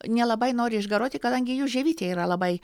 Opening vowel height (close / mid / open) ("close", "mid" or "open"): mid